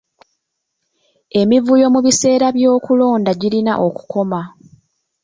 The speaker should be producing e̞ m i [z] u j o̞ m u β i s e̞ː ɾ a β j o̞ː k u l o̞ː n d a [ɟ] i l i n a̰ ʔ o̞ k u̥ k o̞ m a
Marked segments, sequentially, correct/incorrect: incorrect, correct

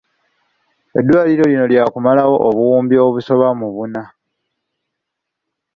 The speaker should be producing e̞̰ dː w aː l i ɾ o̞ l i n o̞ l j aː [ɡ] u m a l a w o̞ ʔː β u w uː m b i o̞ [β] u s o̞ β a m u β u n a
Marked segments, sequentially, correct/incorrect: incorrect, correct

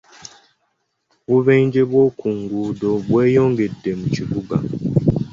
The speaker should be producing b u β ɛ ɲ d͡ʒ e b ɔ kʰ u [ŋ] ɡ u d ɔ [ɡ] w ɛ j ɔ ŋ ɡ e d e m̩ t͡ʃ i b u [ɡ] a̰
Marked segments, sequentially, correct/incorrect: correct, incorrect, correct

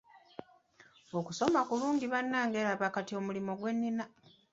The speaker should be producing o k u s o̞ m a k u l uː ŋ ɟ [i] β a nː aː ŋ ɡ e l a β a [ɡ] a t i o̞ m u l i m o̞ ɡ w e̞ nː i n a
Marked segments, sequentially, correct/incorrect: correct, incorrect

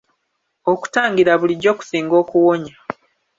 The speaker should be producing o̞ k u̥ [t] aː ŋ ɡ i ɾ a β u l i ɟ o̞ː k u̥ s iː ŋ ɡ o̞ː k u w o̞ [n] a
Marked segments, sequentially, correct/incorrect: correct, incorrect

